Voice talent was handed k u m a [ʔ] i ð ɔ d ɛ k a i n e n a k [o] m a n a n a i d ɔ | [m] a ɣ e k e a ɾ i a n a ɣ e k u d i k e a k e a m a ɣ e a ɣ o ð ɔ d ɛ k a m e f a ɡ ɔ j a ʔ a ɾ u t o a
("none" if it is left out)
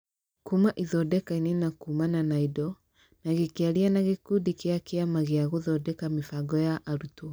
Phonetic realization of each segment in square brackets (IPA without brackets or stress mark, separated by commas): ʔ, u, n